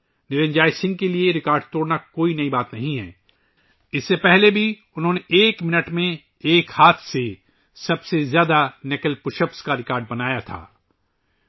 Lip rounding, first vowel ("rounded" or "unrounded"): unrounded